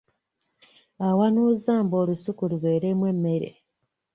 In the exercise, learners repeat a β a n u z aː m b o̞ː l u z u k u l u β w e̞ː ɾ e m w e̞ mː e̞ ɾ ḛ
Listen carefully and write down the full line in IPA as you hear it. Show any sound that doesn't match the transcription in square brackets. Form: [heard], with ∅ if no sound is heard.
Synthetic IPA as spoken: a [w] a n u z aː m b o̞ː l u [s] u k u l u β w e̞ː ɾ e m w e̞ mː e̞ ɾ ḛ